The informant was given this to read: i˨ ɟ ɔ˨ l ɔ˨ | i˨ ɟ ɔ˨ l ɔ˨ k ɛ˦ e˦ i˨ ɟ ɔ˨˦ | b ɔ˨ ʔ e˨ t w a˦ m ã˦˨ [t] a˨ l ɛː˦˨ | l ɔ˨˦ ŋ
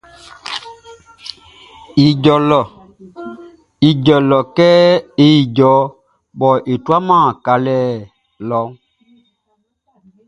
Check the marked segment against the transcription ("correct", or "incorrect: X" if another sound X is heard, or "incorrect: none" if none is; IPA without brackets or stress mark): incorrect: k